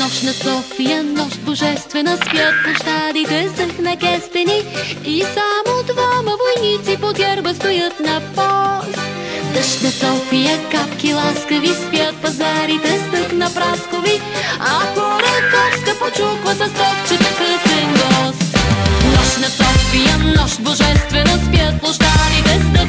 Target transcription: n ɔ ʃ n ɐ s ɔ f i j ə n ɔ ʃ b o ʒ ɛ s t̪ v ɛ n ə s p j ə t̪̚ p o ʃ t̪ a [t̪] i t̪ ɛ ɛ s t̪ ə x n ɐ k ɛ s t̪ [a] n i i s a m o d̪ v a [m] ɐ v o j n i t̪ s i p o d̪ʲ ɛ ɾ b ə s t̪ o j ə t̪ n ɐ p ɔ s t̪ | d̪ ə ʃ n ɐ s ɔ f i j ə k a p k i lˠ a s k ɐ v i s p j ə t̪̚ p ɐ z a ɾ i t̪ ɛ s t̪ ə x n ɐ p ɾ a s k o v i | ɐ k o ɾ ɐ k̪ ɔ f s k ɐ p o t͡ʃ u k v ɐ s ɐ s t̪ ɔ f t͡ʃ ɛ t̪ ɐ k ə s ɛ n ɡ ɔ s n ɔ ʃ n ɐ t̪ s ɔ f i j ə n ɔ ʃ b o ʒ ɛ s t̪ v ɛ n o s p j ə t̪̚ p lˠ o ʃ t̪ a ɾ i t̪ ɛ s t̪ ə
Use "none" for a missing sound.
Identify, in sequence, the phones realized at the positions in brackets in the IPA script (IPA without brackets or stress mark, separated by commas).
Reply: d̪, ɛ, m